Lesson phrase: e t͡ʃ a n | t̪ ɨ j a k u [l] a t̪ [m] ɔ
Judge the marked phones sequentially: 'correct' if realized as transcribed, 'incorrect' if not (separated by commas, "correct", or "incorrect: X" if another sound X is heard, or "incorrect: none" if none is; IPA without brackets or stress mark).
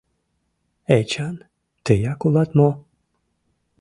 correct, correct